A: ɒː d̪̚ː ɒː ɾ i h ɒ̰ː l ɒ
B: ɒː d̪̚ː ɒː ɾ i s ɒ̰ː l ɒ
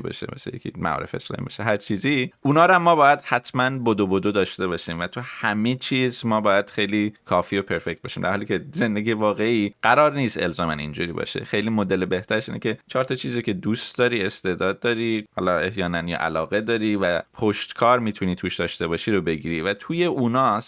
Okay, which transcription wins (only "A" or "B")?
A